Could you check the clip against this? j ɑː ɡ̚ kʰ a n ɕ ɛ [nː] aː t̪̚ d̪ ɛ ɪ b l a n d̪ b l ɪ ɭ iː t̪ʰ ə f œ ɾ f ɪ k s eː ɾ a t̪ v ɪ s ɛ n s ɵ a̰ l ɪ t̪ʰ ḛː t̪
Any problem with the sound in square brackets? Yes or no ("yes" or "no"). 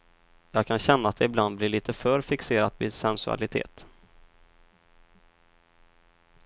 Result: no